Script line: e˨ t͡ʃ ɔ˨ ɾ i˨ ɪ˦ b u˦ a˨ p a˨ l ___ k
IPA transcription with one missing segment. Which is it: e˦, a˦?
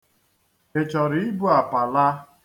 a˦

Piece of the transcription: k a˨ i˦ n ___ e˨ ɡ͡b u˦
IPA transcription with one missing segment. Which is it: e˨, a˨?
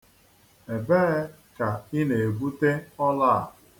e˨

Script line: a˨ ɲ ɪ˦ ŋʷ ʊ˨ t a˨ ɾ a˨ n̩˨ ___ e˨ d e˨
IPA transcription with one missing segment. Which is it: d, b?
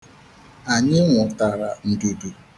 d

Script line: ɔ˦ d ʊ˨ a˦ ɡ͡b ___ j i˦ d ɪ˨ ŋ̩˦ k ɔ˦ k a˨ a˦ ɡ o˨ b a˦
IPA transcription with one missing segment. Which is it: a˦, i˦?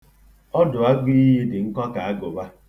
i˦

